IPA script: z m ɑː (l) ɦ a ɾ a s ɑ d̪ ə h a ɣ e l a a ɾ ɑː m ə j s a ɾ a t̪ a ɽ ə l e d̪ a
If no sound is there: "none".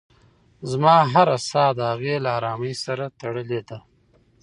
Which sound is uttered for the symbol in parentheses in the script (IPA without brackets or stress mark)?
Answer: none